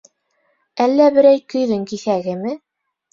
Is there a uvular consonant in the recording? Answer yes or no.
no